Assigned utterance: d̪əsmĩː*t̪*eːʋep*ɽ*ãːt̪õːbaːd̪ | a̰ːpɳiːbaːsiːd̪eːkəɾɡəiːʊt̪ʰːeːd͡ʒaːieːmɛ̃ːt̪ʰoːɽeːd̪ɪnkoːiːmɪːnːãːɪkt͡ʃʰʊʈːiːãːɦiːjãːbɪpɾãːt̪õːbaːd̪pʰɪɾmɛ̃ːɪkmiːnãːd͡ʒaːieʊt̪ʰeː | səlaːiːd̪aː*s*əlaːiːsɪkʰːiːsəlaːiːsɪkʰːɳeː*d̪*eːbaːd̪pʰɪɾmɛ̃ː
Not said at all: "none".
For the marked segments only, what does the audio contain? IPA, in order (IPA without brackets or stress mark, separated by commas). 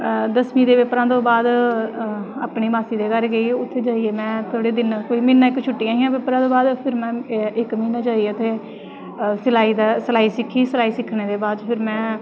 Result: d̪, ɾ, s, d̪